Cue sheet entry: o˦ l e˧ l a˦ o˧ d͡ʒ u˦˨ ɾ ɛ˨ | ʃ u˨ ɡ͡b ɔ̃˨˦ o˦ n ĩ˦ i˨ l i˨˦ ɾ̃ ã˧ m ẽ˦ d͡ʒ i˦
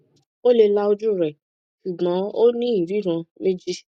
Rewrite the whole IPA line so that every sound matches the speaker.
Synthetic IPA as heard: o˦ l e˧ l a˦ o˧ d͡ʒ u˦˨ ɾ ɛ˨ | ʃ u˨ ɡ͡b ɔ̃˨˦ o˦ n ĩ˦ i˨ ɾ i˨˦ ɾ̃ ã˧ m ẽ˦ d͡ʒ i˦